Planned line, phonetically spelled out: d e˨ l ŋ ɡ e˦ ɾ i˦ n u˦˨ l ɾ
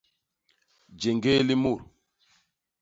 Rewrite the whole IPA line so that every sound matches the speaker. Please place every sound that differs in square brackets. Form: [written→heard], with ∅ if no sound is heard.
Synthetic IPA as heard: [d→d͡ʒ] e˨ [l→∅] ŋ ɡ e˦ [ɾ→l] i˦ [n→m] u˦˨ [l→∅] ɾ